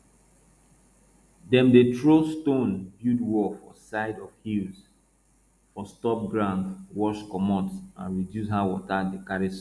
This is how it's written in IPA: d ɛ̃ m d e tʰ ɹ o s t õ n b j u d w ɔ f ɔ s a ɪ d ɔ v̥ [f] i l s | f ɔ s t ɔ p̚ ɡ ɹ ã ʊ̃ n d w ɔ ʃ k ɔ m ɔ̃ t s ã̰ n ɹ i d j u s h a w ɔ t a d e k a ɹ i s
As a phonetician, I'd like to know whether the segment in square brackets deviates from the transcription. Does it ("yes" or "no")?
yes